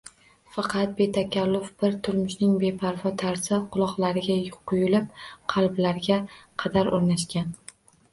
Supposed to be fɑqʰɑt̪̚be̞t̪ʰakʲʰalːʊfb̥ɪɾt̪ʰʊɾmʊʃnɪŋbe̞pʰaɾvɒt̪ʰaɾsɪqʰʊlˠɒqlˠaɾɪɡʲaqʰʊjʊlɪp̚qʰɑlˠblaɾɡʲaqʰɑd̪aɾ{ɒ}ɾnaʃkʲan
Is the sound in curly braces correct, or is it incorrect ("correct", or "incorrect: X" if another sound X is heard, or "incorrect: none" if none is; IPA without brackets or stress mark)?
incorrect: o